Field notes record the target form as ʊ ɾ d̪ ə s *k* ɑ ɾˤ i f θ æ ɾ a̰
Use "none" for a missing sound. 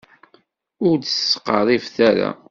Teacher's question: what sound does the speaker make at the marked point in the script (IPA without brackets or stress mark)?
q